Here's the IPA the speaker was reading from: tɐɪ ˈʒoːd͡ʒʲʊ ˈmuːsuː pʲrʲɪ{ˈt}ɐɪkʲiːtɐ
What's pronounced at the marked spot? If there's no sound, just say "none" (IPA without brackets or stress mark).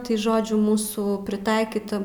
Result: t